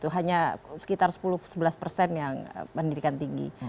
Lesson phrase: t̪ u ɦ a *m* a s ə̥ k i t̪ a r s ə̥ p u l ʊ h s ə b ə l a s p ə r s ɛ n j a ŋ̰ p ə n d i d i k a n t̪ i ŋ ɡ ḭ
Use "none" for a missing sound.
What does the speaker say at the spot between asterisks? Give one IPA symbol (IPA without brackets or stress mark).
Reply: ɲ